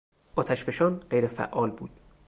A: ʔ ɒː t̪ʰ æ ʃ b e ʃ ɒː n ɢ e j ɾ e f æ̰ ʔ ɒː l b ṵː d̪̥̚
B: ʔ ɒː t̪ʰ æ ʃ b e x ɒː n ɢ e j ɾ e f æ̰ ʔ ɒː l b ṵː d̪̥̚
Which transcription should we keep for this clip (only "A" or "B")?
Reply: A